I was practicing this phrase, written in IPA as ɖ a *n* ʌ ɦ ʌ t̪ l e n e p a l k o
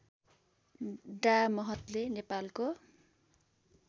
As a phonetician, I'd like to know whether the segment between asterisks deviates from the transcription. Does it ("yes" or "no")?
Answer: yes